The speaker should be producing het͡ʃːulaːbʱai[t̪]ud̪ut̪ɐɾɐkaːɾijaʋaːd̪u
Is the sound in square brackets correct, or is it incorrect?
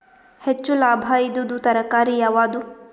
incorrect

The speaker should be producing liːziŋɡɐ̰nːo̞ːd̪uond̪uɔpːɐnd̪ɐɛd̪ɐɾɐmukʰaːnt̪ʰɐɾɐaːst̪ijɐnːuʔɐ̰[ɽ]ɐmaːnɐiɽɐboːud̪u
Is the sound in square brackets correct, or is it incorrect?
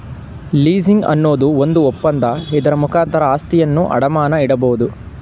correct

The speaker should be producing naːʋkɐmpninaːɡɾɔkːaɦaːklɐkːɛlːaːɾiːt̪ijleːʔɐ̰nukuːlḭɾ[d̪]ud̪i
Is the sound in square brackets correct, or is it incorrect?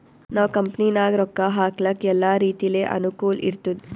incorrect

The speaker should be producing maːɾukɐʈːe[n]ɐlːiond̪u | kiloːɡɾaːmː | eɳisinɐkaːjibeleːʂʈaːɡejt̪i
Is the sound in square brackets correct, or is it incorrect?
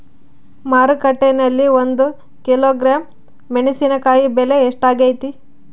correct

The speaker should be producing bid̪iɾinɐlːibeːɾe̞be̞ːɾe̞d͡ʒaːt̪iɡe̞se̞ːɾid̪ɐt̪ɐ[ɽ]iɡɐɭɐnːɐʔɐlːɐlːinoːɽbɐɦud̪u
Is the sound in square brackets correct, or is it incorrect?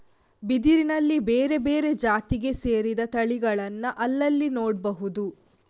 incorrect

